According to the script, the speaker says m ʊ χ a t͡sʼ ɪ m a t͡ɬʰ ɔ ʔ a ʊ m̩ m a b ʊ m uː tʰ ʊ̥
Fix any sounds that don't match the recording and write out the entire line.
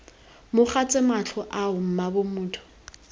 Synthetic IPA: m ʊ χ a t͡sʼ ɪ m a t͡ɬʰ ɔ ʔ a ʊ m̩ m a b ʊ m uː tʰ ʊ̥